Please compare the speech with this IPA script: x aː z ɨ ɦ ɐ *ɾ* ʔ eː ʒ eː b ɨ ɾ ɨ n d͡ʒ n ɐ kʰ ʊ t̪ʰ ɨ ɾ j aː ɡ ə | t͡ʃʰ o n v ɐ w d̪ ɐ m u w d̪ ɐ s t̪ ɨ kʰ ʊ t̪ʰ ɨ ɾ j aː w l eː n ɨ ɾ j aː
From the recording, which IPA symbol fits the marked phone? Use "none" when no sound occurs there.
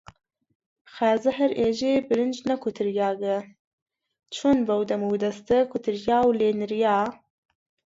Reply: ɾ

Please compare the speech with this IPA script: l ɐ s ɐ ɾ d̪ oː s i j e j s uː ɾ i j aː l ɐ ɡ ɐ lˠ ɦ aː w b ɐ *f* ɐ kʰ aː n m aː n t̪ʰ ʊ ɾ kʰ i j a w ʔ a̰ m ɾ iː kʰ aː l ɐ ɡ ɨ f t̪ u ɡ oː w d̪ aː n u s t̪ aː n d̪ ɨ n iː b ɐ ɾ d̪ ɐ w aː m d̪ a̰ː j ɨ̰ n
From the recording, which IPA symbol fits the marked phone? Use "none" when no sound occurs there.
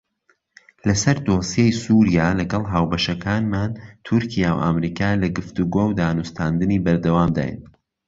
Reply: ʃ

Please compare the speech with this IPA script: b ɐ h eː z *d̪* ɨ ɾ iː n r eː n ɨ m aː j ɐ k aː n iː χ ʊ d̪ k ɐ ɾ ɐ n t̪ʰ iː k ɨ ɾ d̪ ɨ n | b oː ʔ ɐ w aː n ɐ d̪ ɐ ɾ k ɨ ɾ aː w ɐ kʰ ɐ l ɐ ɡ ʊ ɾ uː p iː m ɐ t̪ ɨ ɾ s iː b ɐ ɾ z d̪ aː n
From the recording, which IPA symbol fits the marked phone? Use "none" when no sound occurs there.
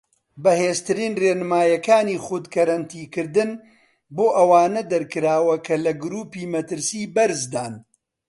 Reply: t̪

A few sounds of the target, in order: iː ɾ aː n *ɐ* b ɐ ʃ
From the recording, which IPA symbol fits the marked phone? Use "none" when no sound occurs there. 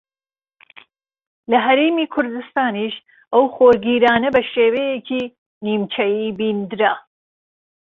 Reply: ɐ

